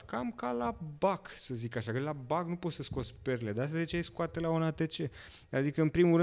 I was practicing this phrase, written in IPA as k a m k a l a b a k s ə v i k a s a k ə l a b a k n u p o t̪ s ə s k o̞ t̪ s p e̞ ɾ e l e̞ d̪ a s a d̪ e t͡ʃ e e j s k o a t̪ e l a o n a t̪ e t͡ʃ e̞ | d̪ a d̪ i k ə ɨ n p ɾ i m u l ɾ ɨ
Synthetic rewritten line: k a m k a l a b a k s ə z i k a ʃ a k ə l a b a k n u p o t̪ s ə s k o̞ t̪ s p e̞ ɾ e l e̞ d̪ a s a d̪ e t͡ʃ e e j s k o a t̪ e l a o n a t̪ e t͡ʃ e̞ | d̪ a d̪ i k ə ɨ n p ɾ i m u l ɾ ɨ